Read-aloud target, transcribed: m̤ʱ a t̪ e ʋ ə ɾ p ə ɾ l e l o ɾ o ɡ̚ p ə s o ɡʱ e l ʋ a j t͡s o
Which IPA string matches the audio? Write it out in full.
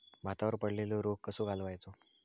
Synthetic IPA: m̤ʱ a t̪ a ʋ ə ɾ p ə ɽ l e l o ɾ o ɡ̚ k ə s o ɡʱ a l ʋ a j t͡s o